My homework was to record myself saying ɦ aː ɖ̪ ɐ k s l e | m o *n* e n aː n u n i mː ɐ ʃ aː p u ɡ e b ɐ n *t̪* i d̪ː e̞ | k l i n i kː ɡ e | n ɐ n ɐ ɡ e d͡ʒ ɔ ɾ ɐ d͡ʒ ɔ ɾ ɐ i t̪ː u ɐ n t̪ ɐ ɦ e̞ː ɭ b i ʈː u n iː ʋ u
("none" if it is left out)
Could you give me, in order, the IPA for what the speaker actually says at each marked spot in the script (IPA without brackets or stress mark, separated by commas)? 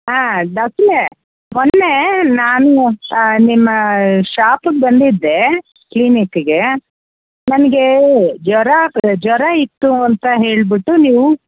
nː, d̪